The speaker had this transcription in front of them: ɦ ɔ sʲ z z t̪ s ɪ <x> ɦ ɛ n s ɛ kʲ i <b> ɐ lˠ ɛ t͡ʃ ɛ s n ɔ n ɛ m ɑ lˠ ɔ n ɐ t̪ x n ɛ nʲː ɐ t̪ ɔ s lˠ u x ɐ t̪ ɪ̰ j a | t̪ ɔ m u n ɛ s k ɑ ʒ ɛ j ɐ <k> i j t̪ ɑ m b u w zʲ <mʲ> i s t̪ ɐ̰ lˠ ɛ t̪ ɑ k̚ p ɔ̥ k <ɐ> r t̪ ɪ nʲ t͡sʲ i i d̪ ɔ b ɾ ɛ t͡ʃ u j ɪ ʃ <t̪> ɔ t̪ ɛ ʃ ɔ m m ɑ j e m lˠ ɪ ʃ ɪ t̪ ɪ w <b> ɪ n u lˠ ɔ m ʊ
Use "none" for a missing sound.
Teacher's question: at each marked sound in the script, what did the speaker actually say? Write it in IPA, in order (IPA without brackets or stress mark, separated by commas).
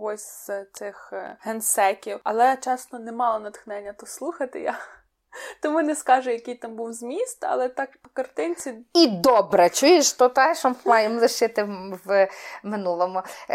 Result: x, w, k, mʲ, ɐ, t̪, m